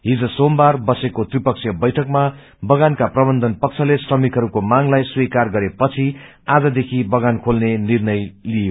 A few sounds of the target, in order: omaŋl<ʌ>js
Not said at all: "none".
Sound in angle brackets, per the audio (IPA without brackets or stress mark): a